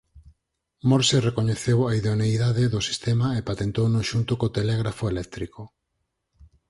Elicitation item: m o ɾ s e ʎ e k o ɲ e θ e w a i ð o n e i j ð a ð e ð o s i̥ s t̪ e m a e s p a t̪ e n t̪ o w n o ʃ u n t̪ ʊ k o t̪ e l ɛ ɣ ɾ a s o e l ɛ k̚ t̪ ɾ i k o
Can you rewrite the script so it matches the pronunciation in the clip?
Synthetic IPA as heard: m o ɾ s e r e k o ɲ e θ e w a i ð o n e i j ð a ð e ð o s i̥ s t̪ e m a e p a t̪ e n t̪ o w n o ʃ u n t̪ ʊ k o t̪ e l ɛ ɣ ɾ a f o e l ɛ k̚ t̪ ɾ i k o